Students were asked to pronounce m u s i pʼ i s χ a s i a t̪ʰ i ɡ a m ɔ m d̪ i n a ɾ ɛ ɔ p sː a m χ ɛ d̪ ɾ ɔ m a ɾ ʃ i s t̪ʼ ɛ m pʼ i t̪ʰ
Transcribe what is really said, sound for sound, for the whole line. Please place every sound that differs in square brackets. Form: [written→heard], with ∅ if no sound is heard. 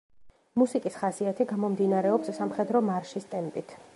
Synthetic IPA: m u s i [pʼ→kʼ] i s χ a s i a t̪ʰ i ɡ a m ɔ m d̪ i n a ɾ ɛ ɔ p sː a m χ ɛ d̪ ɾ ɔ m a ɾ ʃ i s t̪ʼ ɛ m pʼ i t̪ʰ